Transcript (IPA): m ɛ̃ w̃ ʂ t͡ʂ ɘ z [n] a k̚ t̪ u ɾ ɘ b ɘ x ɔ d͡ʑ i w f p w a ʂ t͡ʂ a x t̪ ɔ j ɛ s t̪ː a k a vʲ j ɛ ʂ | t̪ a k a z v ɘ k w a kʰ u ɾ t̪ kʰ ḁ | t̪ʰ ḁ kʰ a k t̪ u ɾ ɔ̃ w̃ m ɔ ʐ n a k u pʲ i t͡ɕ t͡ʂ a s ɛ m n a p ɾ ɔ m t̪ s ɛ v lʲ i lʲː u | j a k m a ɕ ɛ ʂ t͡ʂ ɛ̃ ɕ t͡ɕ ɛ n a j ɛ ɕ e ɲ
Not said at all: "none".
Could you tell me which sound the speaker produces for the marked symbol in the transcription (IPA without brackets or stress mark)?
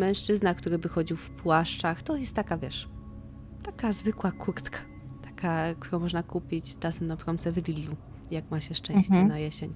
n